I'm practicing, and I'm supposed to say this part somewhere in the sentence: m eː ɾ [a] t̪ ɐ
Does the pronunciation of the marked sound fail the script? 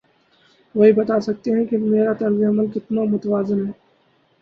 no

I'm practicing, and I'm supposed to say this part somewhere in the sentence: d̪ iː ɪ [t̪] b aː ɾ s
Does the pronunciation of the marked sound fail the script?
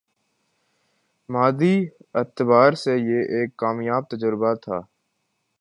no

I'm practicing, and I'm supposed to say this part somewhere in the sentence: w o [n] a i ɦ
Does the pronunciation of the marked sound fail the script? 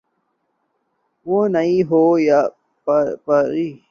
no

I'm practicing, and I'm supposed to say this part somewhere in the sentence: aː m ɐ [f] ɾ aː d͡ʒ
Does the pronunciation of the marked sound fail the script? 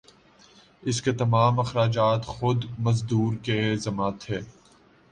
yes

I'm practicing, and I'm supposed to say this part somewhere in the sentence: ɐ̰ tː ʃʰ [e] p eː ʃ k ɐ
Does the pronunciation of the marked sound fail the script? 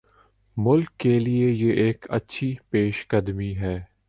yes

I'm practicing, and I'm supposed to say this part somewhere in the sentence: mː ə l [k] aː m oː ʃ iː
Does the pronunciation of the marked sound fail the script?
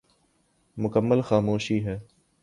yes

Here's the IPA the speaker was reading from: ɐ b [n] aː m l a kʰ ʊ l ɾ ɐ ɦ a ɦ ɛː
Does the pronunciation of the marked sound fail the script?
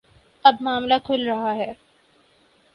yes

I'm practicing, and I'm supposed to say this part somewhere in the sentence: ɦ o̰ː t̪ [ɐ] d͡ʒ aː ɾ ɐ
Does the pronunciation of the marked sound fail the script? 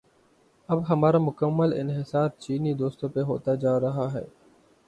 yes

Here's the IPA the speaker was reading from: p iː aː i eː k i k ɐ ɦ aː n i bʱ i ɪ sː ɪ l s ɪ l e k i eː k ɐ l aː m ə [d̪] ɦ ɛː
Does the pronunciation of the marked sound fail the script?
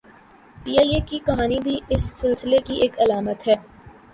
yes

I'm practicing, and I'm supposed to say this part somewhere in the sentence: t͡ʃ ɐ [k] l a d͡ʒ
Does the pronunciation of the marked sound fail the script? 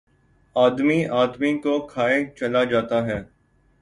yes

